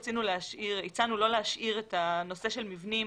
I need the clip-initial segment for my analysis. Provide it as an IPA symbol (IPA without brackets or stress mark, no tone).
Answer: t͡s